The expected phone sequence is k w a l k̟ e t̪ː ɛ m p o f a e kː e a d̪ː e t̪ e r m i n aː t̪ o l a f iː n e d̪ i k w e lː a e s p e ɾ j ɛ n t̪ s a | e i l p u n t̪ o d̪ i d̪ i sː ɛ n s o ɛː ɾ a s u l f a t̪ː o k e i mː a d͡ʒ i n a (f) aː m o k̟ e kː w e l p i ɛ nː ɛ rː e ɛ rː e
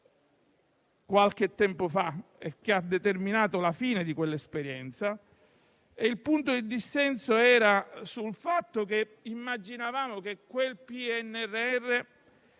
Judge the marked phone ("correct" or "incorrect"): incorrect